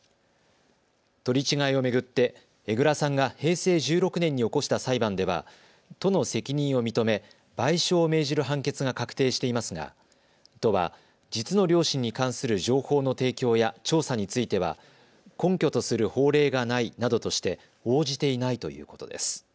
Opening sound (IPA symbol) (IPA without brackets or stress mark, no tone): t̪